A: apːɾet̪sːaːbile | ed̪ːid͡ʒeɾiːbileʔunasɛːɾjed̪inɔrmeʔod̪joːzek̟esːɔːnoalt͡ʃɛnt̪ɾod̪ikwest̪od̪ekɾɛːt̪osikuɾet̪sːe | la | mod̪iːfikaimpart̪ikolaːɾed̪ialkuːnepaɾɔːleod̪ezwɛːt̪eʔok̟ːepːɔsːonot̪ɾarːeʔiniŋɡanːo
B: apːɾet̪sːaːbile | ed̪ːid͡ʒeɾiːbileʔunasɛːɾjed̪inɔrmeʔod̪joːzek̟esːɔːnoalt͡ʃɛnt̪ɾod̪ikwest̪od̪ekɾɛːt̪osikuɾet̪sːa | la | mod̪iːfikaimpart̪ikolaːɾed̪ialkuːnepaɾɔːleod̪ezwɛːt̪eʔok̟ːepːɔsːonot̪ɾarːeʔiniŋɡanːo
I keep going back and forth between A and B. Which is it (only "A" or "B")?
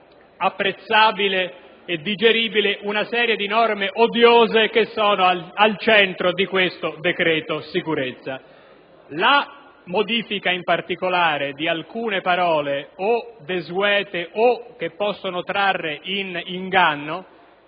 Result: B